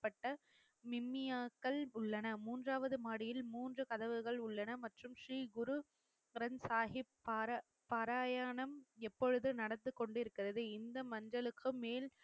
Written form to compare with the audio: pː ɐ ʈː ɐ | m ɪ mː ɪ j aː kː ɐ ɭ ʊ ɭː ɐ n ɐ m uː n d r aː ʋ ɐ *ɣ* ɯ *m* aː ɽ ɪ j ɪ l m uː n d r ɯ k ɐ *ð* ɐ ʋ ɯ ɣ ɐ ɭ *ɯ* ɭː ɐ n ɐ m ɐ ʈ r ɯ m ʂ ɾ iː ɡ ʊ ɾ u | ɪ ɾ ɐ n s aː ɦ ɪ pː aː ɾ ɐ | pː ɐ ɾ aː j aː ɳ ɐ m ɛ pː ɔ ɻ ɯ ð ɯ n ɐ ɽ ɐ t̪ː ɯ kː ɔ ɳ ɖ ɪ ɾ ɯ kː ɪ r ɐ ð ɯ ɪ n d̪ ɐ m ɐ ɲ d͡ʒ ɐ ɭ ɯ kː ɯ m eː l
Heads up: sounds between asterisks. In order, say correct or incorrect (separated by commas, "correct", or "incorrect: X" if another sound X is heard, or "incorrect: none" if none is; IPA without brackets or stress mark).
incorrect: ð, correct, correct, incorrect: ʊ